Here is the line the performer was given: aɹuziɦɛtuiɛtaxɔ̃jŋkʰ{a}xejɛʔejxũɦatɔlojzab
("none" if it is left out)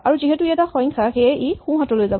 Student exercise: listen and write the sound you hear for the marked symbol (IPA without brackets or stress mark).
a